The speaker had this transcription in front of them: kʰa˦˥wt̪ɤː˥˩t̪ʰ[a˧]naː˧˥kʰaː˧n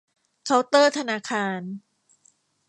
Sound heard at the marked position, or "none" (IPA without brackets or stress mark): a˧